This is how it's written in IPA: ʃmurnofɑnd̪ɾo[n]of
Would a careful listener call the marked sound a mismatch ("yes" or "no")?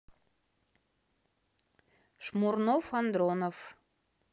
no